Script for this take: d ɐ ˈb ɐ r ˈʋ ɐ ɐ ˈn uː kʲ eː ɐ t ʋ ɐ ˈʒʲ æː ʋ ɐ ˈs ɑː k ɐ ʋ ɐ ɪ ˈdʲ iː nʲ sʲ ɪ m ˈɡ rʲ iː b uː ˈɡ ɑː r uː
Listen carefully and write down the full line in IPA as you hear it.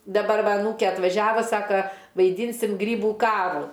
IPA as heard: d ɐ ˈb ɐ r ˈʋ ɐ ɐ ˈn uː kʲ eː ɐ t ʋ ɐ ˈʒʲ æː ʋ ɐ ˈs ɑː k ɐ ʋ ɐ ɪ ˈdʲ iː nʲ sʲ ɪ m ˈɡ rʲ iː b uː ˈk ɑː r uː